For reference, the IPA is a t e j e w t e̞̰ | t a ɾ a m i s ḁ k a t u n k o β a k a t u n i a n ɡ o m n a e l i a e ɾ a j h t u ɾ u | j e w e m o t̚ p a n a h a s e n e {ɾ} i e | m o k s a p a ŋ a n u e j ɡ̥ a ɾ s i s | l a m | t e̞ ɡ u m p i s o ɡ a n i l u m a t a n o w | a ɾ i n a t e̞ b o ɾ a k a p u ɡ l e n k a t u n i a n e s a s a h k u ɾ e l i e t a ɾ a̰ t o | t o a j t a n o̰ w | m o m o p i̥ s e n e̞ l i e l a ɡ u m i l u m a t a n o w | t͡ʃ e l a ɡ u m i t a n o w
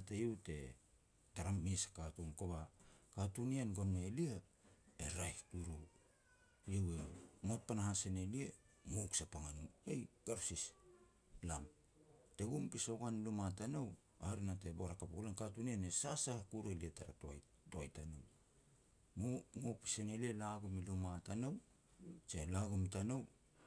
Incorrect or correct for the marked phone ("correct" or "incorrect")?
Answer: incorrect